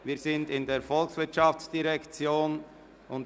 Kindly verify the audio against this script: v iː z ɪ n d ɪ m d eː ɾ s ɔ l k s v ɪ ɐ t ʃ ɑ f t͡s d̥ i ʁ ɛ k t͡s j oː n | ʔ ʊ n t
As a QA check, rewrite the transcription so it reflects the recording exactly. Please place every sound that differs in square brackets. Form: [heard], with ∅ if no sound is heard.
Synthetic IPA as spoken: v iː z ɪ n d ɪ [n] d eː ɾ [f] ɔ l k s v ɪ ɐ t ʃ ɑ f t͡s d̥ i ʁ ɛ k t͡s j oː n | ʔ ʊ n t